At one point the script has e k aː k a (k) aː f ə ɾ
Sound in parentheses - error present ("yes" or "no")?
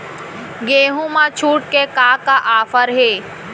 yes